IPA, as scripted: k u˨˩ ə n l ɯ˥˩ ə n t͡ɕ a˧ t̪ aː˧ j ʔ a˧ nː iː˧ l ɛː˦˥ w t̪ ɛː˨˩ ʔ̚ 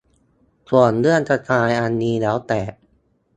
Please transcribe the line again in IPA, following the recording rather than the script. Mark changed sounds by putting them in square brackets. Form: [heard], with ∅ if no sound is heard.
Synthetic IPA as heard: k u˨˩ ə n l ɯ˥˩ ə n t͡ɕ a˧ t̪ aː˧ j ʔ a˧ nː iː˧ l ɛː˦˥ w t̪ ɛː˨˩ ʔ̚